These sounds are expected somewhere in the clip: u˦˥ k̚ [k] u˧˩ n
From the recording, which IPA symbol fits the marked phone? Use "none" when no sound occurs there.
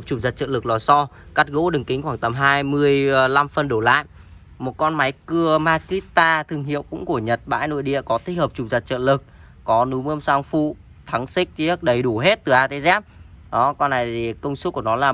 k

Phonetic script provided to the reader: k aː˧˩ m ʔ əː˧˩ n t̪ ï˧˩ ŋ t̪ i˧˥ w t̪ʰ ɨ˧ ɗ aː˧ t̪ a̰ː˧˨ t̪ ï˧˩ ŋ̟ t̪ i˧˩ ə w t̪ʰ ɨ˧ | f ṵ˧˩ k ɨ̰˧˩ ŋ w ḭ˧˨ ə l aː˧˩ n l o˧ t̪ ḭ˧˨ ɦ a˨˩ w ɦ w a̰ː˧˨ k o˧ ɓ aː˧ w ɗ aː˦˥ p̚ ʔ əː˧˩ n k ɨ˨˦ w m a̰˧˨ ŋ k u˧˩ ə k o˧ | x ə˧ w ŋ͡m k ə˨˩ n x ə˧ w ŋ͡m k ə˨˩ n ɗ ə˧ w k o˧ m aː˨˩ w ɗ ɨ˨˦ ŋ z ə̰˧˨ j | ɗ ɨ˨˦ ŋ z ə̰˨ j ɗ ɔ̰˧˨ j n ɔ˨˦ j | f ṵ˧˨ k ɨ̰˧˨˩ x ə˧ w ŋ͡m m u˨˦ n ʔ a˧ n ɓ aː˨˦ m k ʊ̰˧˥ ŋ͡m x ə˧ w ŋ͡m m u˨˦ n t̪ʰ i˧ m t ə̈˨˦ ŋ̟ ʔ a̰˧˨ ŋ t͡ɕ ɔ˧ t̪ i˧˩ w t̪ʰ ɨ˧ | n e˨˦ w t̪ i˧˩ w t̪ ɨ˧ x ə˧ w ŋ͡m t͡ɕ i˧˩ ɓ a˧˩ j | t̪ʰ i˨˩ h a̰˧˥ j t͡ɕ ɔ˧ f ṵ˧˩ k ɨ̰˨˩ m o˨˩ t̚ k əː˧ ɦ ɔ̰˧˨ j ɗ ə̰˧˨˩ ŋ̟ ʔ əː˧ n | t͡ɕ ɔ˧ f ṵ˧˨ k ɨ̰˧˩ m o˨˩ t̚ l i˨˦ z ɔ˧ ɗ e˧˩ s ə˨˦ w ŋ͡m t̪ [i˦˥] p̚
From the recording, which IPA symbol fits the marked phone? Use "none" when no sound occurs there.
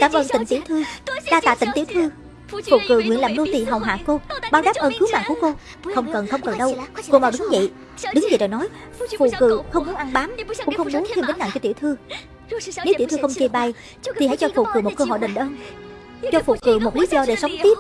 i˦˥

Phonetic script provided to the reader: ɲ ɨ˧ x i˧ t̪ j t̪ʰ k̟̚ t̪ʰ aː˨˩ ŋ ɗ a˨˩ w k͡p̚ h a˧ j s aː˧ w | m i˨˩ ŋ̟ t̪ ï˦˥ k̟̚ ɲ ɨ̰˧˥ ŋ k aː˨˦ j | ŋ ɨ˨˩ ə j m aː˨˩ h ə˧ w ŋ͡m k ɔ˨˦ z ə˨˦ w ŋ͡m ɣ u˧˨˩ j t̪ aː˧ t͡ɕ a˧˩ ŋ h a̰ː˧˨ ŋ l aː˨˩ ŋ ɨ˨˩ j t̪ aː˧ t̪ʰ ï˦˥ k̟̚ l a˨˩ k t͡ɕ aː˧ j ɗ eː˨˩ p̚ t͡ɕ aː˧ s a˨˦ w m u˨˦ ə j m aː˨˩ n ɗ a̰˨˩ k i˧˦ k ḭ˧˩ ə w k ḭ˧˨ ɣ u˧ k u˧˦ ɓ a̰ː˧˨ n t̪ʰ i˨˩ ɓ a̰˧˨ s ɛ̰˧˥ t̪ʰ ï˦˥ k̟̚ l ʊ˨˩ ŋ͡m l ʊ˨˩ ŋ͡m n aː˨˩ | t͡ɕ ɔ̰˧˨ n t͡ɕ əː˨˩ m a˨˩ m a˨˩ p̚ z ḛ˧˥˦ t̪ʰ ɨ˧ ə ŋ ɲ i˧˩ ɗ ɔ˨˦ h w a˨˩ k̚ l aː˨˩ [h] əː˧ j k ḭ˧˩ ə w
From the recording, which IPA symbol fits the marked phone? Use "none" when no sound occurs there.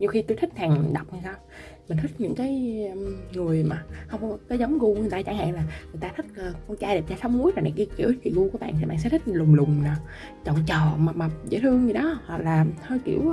h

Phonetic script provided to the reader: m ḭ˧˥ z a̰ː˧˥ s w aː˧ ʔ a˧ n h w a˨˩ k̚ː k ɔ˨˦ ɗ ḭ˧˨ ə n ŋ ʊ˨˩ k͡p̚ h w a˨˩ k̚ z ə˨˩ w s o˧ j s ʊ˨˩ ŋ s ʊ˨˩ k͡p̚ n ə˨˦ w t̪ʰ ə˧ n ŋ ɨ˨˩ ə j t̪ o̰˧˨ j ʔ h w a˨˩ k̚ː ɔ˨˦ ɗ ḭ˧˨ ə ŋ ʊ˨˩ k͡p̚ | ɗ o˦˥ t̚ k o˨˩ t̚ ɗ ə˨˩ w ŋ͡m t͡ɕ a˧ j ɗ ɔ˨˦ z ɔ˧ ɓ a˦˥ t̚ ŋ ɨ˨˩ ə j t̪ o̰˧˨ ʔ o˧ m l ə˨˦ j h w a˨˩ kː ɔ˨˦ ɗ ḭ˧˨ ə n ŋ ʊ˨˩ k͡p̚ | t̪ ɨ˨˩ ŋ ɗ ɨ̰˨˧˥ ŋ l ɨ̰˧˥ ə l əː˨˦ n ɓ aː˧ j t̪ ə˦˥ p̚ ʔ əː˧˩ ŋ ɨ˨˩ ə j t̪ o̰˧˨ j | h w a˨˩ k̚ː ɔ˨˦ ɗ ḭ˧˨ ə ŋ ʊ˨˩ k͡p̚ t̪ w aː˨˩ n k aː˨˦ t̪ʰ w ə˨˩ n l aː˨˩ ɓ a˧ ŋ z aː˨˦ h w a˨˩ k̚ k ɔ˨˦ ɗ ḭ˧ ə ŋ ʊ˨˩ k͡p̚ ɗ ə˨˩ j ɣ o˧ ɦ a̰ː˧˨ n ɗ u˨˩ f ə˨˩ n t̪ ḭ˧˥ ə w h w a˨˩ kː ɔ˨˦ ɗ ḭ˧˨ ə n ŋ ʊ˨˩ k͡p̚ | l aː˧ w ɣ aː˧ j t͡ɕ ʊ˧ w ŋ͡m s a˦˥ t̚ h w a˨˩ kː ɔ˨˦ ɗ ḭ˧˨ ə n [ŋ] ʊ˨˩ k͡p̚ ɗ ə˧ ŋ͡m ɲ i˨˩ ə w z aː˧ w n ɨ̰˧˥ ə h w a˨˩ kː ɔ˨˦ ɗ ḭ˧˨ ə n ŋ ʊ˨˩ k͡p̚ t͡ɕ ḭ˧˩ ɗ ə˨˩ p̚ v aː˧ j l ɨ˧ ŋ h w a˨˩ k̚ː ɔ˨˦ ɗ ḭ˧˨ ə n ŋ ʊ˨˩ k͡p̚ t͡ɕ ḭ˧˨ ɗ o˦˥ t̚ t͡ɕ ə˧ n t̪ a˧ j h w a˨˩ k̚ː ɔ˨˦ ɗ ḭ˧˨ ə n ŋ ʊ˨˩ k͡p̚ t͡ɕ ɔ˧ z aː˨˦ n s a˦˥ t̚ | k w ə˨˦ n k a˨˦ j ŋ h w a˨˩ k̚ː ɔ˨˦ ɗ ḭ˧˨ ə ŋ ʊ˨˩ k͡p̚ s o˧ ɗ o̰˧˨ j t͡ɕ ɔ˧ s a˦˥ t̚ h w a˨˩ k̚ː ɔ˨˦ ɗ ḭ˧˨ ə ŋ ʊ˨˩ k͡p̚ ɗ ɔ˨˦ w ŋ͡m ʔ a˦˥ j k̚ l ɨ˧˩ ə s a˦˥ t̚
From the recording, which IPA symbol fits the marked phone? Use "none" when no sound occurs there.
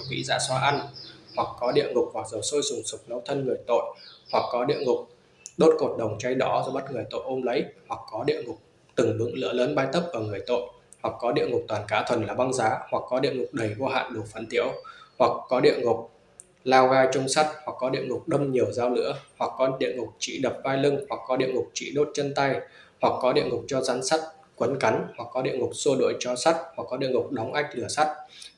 ŋ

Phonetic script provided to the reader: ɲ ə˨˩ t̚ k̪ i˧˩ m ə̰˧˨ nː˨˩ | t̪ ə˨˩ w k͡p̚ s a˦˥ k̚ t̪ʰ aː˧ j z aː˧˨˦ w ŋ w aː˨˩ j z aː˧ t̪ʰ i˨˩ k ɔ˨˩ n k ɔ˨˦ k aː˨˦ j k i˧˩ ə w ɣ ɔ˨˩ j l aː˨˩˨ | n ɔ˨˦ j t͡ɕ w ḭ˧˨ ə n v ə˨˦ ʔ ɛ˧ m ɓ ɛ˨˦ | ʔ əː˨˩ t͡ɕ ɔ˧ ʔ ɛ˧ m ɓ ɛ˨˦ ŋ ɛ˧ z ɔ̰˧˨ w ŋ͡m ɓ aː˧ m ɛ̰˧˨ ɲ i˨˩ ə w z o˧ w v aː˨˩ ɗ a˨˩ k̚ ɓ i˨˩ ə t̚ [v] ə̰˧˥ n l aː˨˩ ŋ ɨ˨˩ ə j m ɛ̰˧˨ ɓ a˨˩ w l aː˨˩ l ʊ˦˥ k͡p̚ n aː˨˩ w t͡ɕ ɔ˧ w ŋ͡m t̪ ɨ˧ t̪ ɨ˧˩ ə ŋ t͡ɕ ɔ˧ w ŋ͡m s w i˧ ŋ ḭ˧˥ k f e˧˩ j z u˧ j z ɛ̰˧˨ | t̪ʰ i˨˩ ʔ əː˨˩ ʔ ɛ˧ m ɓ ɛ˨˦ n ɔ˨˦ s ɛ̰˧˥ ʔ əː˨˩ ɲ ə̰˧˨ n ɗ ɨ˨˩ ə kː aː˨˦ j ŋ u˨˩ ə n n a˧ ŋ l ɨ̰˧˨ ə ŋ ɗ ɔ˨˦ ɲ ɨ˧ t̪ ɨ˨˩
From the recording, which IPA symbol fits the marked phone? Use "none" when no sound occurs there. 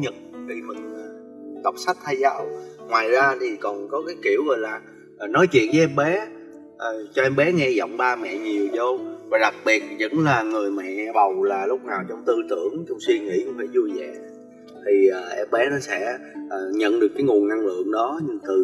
z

